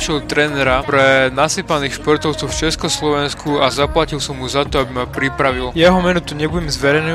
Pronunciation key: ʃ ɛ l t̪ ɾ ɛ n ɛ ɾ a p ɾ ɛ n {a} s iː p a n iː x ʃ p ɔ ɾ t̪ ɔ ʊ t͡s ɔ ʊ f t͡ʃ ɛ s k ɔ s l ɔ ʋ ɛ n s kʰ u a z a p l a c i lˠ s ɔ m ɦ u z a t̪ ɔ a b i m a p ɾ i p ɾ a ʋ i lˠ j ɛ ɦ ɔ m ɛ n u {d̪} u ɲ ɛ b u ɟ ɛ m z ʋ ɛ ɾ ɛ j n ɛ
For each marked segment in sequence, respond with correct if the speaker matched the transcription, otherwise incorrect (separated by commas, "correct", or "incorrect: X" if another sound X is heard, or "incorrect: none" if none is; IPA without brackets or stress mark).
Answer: correct, incorrect: t̪